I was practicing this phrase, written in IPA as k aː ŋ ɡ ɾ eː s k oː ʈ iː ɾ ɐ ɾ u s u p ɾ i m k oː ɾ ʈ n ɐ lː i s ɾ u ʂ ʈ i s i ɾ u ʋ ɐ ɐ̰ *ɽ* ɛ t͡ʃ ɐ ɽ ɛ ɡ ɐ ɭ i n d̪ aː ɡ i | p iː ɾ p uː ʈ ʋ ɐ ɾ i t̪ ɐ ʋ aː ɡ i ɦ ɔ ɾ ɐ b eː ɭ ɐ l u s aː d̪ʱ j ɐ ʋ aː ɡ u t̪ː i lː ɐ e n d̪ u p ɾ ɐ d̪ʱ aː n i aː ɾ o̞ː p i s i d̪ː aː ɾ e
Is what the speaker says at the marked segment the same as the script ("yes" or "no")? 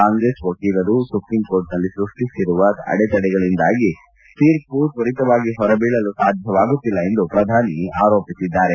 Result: yes